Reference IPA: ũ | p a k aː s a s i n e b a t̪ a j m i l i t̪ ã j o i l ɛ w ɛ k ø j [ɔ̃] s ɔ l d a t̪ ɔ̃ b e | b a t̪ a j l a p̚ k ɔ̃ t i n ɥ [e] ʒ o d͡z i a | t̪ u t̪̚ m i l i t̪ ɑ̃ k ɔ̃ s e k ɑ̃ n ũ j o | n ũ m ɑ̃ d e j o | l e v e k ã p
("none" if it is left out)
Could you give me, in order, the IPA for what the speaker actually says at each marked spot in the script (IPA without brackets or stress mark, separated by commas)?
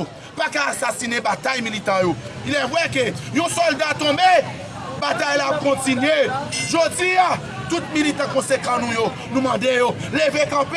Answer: ũ, e